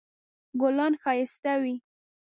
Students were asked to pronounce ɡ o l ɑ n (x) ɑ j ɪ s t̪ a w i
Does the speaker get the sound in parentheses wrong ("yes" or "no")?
no